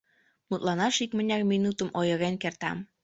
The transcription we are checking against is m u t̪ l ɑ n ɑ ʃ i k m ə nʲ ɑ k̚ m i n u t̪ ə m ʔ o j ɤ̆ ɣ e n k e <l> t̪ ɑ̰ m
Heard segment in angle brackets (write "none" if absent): r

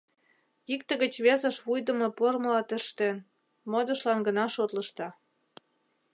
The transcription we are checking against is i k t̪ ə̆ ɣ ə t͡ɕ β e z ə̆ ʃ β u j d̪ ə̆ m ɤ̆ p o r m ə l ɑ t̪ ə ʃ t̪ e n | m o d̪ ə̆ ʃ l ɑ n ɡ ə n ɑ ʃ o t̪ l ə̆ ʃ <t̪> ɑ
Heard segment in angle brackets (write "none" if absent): t̪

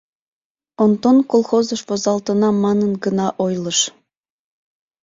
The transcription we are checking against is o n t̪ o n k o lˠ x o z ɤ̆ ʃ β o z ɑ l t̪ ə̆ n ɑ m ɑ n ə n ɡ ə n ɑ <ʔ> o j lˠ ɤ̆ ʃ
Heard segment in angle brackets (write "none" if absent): ʔ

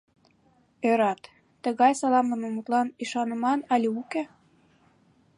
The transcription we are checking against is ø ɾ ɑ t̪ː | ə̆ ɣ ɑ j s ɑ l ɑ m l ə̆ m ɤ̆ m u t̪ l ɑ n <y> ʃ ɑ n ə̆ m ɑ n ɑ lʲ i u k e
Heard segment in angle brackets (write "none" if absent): i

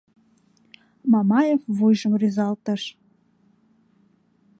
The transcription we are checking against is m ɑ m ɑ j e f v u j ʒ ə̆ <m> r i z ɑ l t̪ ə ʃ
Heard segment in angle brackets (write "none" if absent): m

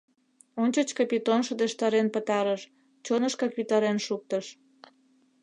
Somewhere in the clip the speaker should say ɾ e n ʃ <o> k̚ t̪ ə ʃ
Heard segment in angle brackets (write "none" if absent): u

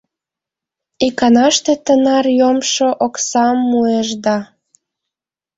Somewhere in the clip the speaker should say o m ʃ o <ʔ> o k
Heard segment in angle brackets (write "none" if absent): ʔ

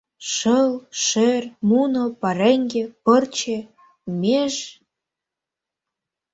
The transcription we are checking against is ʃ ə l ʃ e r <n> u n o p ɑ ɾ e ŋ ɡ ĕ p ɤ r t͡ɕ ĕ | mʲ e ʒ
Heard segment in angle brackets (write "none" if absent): m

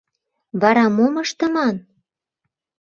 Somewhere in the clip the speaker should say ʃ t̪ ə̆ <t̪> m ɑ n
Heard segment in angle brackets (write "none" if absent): none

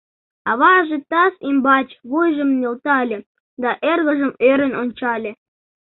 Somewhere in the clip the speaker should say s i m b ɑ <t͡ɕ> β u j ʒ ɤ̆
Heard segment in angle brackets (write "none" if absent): t͡ɕ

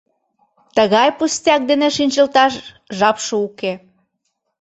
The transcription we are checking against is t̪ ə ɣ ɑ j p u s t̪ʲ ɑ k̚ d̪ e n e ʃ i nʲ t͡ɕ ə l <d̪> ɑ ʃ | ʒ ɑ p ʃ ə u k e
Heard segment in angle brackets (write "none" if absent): t̪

